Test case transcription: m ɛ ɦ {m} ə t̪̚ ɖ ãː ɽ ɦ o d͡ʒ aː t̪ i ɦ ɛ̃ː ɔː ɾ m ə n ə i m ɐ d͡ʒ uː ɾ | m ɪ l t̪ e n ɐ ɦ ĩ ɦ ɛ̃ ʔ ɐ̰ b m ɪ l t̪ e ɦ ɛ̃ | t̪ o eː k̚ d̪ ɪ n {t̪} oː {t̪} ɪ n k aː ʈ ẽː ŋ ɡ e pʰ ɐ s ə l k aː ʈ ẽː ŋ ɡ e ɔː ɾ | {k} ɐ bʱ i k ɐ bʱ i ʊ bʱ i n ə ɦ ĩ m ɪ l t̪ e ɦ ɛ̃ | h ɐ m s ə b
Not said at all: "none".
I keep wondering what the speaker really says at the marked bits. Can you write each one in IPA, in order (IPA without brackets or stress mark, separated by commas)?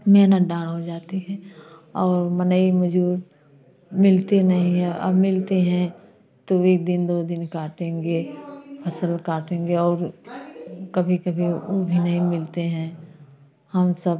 n, d̪, d̪, k